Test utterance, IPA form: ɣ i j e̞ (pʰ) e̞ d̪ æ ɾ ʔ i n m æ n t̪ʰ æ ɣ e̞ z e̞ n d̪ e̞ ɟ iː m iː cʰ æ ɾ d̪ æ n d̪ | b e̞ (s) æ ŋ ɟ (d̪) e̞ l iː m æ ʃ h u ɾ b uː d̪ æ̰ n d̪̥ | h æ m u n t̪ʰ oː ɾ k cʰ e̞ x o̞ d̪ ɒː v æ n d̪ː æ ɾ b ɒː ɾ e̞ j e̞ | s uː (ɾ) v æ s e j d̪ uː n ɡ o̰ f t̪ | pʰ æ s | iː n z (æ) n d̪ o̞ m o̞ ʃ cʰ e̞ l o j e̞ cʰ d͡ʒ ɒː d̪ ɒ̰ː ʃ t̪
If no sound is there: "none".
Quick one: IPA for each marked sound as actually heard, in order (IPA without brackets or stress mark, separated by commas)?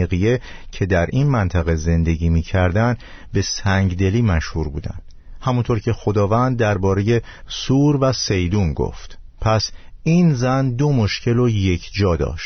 cʰ, s, d̪, ɾ, æ